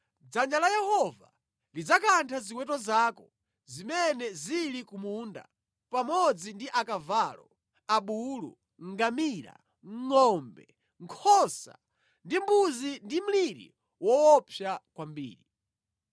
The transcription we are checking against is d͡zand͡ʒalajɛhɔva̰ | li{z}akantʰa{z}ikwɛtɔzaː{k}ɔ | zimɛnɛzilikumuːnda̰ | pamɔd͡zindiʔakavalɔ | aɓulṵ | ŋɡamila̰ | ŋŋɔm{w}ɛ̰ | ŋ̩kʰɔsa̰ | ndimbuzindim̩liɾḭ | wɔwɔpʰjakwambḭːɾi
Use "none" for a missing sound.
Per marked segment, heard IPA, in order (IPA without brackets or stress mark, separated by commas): d͡z, z, k, b